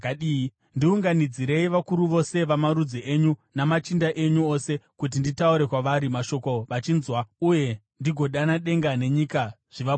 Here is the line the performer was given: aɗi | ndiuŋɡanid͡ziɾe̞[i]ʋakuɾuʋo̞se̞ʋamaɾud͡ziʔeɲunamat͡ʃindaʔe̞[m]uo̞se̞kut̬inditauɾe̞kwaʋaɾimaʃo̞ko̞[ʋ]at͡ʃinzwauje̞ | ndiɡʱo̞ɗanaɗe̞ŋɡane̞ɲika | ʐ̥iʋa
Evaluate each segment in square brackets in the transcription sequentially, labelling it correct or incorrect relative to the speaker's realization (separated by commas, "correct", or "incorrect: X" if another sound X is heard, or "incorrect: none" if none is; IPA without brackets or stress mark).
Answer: correct, incorrect: ɲ, correct